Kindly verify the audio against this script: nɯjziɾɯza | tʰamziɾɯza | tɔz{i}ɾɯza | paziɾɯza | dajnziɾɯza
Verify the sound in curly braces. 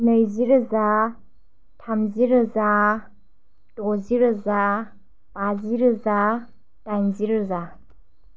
correct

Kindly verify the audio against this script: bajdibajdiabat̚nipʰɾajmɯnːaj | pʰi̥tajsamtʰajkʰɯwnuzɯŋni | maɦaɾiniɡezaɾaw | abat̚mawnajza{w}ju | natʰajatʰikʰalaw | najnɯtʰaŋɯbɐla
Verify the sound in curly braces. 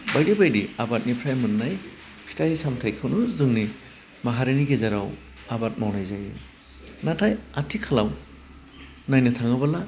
incorrect: none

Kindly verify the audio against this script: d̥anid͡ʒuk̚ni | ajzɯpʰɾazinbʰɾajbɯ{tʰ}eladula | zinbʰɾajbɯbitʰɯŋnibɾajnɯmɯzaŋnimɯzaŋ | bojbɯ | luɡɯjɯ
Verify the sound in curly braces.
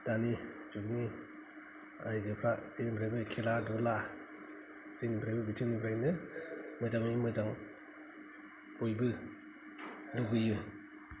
incorrect: kʰ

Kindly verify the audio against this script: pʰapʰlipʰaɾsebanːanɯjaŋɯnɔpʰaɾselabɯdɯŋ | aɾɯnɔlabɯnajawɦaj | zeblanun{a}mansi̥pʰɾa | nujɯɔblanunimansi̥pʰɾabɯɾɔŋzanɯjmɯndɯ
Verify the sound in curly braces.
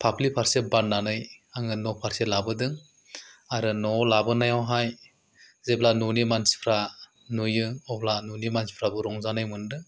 incorrect: i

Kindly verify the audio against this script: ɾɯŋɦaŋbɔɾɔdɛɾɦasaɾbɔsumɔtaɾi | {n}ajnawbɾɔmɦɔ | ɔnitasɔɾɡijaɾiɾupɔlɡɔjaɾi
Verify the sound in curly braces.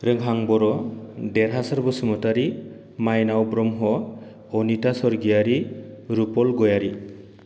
incorrect: m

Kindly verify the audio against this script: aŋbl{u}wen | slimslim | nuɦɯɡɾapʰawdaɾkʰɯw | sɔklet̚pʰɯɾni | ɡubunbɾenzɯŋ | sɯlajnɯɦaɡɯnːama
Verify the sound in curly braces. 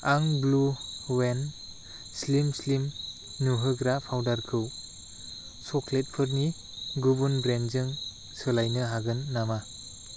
correct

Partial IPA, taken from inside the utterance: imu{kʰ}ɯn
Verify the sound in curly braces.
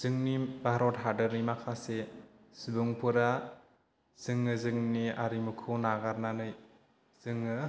correct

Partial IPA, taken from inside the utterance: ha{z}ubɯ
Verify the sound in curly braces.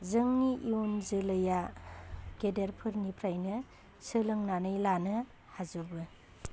correct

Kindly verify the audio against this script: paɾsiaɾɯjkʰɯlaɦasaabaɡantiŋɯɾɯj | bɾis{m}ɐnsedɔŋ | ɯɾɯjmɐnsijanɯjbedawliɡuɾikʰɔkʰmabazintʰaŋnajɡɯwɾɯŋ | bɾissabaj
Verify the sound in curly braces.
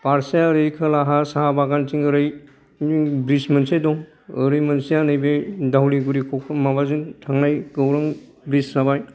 correct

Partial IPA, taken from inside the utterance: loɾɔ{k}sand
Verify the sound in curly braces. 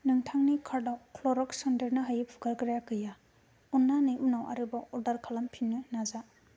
correct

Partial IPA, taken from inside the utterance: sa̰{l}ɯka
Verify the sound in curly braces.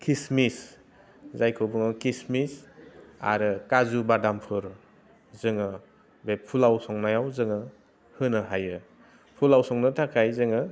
incorrect: ɾ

